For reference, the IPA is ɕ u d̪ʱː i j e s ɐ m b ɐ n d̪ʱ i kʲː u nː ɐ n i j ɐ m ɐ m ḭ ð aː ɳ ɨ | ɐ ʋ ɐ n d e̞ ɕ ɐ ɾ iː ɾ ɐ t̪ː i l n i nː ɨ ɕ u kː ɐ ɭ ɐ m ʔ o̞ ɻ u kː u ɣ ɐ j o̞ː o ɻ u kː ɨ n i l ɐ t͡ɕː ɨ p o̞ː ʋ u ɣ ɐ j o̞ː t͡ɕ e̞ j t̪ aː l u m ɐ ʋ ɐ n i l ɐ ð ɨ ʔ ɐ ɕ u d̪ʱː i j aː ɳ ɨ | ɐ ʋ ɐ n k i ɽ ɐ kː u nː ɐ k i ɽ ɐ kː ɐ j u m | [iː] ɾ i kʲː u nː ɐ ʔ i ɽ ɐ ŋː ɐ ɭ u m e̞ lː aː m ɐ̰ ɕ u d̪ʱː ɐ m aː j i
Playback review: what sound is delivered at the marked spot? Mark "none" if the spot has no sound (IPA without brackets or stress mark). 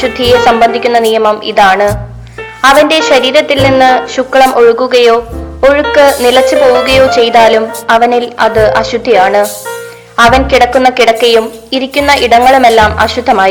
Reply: i